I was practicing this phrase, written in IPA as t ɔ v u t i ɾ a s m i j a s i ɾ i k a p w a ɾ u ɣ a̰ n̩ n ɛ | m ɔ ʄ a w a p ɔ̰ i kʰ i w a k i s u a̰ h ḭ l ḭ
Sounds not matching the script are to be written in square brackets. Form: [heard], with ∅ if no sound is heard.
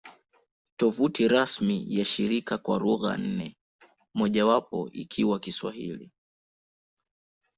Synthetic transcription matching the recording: t ɔ v u t i ɾ a s m i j a [ʃ] i ɾ i k a [k] w a ɾ u ɣ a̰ n̩ n ɛ | m ɔ ʄ a w a p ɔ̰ i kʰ i w a k i s [w] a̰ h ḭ l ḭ